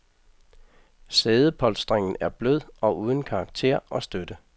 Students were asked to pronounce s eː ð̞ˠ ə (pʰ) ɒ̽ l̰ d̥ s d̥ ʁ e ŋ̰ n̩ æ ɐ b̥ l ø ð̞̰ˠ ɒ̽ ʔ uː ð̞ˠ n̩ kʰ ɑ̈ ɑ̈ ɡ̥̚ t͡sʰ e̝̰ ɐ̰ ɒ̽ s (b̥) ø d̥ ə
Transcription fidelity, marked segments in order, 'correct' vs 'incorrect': correct, incorrect: d̥

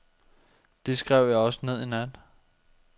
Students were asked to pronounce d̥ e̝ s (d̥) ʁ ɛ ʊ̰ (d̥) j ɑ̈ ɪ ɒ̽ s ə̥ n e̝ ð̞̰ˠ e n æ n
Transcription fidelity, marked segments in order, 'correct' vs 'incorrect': incorrect: ɡ̥, incorrect: none

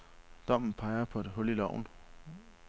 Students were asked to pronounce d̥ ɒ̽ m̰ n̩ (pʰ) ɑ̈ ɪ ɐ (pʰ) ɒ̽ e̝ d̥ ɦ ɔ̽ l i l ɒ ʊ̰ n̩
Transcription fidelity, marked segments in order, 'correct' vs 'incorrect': correct, correct

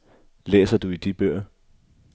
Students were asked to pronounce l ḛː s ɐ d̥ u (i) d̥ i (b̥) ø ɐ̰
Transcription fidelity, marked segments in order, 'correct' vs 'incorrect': correct, correct

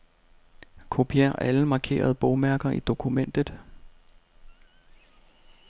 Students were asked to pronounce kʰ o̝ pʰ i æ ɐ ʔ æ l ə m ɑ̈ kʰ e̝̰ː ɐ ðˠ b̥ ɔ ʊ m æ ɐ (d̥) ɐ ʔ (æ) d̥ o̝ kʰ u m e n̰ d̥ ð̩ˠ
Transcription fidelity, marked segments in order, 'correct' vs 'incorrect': incorrect: ɡ̥, incorrect: i

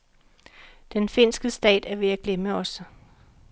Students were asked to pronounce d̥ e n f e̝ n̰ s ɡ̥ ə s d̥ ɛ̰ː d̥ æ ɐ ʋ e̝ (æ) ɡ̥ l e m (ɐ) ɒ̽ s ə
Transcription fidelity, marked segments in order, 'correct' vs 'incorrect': correct, incorrect: ə

